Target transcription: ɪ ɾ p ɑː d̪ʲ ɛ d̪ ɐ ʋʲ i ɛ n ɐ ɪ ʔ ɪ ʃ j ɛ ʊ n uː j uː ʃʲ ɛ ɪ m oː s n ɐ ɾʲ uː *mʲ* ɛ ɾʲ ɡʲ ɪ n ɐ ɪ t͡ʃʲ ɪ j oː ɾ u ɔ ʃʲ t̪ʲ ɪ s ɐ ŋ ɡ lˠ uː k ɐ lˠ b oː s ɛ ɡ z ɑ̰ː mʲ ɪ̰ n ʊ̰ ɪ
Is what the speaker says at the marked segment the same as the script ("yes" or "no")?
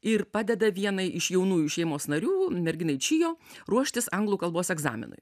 yes